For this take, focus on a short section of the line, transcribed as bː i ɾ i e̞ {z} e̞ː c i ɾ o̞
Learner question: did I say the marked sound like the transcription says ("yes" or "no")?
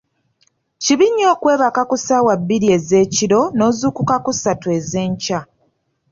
yes